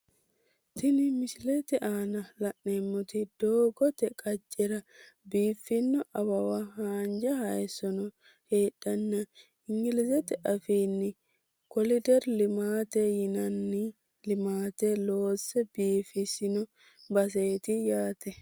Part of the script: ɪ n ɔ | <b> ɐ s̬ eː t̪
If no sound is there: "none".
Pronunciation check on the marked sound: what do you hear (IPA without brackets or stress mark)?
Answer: b